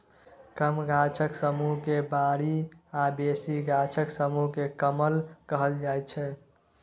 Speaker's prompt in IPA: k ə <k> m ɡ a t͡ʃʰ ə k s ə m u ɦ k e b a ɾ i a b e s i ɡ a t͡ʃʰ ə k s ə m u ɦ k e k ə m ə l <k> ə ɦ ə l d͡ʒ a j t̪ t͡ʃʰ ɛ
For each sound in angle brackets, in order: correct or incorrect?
incorrect: none, correct

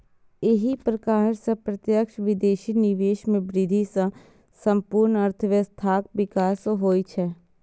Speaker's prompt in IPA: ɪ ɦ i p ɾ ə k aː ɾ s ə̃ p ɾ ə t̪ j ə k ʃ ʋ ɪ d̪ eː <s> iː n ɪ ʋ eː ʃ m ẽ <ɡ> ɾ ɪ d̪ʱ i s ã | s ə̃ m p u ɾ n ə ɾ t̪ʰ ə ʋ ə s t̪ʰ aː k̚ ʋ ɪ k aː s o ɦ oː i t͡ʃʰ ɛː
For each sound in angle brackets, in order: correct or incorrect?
incorrect: ʃ, incorrect: b

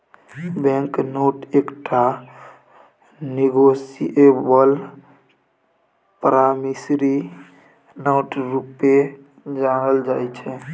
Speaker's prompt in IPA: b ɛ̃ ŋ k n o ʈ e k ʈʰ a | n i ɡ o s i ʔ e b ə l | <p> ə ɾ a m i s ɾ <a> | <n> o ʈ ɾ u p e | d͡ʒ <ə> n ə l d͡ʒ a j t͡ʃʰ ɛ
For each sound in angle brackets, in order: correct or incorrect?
correct, incorrect: i, correct, incorrect: a

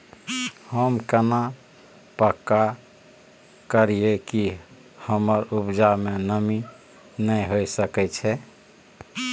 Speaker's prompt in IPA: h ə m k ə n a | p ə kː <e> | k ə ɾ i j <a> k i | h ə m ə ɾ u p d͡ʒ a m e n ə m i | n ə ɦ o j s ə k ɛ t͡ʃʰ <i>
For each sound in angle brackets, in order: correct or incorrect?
incorrect: a, incorrect: e, incorrect: ɛ

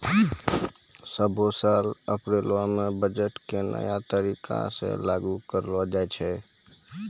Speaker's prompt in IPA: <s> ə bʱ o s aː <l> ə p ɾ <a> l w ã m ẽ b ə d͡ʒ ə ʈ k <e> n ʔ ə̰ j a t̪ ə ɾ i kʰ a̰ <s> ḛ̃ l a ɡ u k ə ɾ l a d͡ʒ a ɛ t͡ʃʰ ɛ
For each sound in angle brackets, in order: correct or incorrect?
correct, correct, incorrect: e, correct, correct

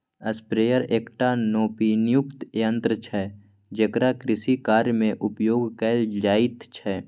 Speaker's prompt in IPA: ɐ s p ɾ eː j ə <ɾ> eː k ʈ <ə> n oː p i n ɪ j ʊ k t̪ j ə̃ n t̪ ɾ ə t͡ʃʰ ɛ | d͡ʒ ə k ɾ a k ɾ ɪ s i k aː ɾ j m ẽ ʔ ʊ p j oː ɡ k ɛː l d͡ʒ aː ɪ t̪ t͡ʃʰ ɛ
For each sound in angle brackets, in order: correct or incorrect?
correct, incorrect: a

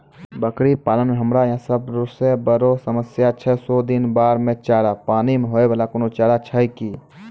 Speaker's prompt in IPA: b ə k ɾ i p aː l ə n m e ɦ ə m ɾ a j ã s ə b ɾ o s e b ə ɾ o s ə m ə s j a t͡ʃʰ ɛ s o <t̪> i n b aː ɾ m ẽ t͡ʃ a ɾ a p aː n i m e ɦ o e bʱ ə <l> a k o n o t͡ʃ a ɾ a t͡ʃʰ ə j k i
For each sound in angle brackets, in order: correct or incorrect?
incorrect: d̪, correct

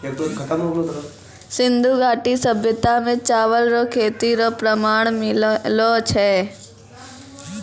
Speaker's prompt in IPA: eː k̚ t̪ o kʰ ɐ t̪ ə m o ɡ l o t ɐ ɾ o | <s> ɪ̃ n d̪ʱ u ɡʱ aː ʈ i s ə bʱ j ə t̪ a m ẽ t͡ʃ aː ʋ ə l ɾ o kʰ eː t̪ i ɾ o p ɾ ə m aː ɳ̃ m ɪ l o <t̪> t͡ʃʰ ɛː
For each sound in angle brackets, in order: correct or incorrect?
correct, incorrect: none

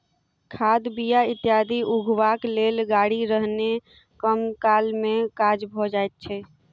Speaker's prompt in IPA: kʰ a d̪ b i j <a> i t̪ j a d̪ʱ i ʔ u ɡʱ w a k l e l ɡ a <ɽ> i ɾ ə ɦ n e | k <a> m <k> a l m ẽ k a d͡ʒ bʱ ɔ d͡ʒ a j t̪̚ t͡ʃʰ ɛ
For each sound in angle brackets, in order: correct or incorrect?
correct, correct, incorrect: ə, correct

